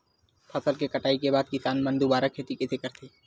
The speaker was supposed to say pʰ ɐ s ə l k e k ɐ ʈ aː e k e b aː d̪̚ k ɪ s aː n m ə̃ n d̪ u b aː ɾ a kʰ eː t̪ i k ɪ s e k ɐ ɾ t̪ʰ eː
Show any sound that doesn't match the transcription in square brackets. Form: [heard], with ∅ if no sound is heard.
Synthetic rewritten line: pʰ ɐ s ə l k e k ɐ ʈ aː [i] k e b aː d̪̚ k ɪ s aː n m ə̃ n d̪ u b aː ɾ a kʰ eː t̪ i k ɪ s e k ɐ ɾ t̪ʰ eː

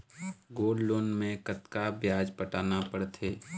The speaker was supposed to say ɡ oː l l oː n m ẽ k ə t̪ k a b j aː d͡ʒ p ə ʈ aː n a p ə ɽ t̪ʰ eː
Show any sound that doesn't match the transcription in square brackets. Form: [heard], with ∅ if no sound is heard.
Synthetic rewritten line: ɡ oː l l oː n m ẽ k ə t̪ k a b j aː d͡ʒ p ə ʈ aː n a p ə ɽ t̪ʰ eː

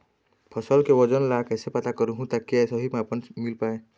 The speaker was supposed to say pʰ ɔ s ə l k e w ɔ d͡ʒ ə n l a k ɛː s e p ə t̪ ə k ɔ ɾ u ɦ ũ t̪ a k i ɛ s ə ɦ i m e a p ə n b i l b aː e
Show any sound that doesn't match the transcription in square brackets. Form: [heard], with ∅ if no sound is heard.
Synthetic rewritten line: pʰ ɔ s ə l k e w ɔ d͡ʒ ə n l a k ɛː s e p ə t̪ [a] k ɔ ɾ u ɦ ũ t̪ a k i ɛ s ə ɦ i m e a p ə n [m] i l [p] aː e

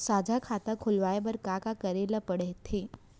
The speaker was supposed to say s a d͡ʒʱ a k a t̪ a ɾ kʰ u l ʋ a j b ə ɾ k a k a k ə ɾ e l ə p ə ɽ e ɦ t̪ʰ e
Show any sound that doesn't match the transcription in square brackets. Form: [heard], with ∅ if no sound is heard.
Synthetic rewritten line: s a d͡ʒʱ a [kʰ] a t̪ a [∅] kʰ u l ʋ a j b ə ɾ k a k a k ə ɾ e l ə p ə ɽ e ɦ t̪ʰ e

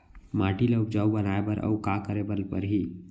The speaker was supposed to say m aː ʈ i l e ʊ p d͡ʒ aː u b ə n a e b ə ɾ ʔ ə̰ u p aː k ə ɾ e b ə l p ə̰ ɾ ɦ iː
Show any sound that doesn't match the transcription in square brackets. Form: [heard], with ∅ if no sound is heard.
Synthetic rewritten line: m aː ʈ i l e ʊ p d͡ʒ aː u b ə n a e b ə ɾ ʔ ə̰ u [k] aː k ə ɾ e b ə l p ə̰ ɾ ɦ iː

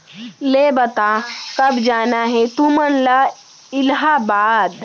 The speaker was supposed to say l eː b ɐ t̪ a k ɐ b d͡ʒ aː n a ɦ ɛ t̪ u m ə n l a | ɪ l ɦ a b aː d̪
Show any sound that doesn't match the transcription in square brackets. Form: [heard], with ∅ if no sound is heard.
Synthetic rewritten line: l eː b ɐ t̪ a k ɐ b d͡ʒ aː n a ɦ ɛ t̪ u m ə n l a | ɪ l ɦ a b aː d̪

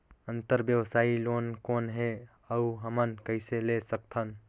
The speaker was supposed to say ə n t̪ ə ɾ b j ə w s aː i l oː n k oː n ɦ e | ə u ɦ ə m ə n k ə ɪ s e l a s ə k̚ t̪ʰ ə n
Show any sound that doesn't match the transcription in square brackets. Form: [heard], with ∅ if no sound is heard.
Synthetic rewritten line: ə n t̪ ə ɾ b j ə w s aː i l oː n k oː n ɦ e | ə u ɦ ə m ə n k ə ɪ s e l [e] s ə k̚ t̪ʰ ə n

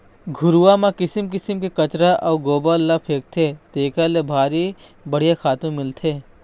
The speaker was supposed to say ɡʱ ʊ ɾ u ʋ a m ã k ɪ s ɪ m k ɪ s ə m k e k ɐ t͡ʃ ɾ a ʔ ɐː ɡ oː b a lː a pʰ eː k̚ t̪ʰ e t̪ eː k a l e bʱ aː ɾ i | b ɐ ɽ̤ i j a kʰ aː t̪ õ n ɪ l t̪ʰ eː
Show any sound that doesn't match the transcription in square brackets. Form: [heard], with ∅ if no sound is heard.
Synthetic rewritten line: ɡʱ ʊ ɾ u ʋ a m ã k ɪ s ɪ m k ɪ s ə m k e k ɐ t͡ʃ ɾ a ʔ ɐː ɡ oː b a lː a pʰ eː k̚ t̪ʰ e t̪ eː k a l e bʱ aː ɾ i | b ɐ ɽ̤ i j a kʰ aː t̪ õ [m] ɪ l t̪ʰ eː

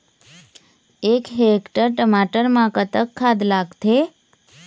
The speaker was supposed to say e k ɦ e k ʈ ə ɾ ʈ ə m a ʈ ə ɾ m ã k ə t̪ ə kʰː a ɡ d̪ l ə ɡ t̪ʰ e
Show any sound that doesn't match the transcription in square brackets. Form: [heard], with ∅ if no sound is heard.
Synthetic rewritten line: e k ɦ e k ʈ ə ɾ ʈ ə m a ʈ ə ɾ m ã k ə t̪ ə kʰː a [∅] d̪ l [a] ɡ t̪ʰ e

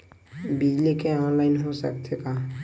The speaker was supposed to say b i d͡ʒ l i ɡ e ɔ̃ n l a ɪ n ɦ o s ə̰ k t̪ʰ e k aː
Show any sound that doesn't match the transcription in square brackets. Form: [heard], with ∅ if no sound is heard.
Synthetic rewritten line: b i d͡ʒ l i [k] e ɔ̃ n l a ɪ n ɦ o s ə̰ k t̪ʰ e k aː

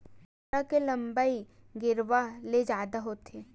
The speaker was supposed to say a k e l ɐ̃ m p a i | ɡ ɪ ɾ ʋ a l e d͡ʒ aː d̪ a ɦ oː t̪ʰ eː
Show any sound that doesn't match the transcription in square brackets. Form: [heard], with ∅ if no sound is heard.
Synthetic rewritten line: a k e l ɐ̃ m [b] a i | ɡ ɪ ɾ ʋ a l e d͡ʒ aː d̪ a ɦ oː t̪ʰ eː

